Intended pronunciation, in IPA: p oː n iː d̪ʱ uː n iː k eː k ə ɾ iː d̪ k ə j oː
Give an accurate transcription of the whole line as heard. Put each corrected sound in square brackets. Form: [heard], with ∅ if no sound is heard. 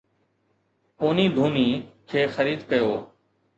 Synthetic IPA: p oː n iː d̪ʱ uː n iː [kʰ] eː [x] ə ɾ iː d̪ k ə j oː